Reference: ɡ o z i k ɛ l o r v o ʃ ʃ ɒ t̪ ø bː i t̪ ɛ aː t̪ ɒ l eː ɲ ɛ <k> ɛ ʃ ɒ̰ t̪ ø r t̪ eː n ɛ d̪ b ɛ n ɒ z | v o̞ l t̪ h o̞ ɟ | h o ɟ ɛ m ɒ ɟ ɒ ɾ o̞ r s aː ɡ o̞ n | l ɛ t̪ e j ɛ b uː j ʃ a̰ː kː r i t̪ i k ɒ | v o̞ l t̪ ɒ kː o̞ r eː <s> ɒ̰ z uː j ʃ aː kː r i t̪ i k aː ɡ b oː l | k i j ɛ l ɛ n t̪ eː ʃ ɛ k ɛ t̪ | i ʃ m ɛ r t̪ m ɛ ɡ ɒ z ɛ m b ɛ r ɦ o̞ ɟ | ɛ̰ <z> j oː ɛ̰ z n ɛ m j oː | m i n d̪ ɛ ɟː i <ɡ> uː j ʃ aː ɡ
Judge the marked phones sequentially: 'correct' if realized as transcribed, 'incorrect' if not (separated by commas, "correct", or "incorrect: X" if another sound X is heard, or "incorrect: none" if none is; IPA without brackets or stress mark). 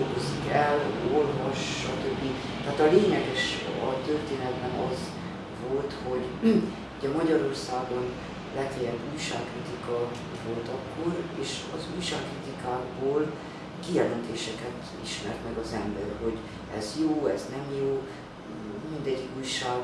incorrect: ɡ, incorrect: ʃ, correct, incorrect: k